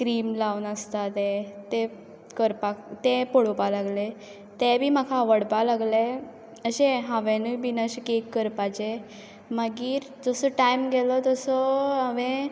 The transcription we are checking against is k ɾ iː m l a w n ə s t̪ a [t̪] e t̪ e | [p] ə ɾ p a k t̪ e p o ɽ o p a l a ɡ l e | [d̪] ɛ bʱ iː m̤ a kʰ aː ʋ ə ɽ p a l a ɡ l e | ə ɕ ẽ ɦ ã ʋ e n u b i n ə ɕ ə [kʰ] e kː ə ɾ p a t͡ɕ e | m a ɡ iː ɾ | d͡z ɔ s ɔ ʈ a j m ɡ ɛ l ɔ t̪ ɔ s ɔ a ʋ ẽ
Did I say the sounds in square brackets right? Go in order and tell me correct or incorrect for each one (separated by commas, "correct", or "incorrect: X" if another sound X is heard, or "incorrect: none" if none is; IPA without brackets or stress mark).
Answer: correct, incorrect: k, incorrect: t̪, incorrect: k